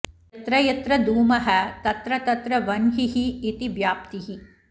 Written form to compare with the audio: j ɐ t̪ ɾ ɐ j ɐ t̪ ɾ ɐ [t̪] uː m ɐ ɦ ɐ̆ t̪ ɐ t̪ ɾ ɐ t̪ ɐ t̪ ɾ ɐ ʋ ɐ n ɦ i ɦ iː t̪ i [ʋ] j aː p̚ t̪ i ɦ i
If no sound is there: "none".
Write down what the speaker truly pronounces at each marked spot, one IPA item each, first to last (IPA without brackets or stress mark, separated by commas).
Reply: d̪, ʋ